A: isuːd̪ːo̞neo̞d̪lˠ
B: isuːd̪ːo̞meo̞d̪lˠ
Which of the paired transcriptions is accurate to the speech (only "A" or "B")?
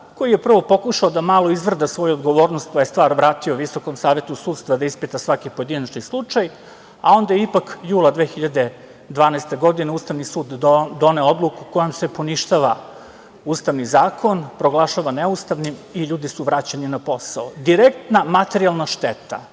A